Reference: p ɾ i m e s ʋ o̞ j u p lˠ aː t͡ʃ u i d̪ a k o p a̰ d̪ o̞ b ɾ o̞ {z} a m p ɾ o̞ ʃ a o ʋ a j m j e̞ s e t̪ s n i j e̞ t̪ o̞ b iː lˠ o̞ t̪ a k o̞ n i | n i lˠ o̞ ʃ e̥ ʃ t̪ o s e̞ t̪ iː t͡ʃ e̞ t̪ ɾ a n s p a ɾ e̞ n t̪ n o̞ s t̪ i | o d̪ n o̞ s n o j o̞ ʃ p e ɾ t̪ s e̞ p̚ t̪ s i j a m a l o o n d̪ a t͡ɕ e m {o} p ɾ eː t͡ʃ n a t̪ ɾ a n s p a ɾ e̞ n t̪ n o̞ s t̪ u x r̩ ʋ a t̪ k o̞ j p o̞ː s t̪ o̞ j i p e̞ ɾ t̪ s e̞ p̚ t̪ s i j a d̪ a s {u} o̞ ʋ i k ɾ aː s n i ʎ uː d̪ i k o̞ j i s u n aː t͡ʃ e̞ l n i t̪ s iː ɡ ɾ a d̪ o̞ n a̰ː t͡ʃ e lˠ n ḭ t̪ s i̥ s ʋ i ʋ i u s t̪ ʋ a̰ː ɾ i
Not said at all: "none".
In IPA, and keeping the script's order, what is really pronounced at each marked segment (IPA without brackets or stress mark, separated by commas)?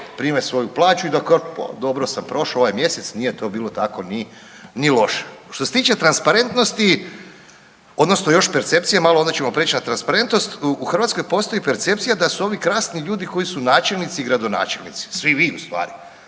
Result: s, o, u